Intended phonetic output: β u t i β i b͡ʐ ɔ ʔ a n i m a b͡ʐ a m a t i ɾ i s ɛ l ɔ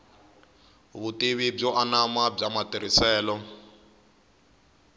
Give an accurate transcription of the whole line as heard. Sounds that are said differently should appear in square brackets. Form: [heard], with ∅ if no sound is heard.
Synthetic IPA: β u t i β i b͡ʐ ɔ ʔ a n [a] m a b͡ʐ a m a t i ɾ i s [ɛː] l ɔ